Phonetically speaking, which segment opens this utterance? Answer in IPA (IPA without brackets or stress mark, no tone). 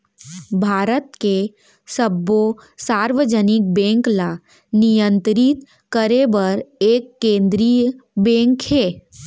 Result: bʱ